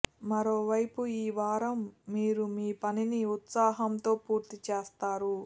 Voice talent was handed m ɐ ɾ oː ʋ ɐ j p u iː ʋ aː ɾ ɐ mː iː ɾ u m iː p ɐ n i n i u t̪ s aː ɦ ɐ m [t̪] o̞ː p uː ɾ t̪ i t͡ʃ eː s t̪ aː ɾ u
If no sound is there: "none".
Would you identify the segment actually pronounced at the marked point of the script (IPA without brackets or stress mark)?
t̪